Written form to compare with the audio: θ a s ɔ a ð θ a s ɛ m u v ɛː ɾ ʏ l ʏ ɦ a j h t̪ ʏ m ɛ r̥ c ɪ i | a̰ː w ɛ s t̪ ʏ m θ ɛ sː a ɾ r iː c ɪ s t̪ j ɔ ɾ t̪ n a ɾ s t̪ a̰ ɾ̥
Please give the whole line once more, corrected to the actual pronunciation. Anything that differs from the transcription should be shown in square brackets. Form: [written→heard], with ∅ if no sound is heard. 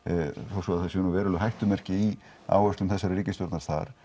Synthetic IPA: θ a s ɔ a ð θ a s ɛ [m→n] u v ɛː ɾ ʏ l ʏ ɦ a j h t̪ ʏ m ɛ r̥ c ɪ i | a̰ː w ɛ s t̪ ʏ m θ ɛ sː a ɾ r iː c ɪ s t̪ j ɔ ɾ t̪ n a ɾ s t̪ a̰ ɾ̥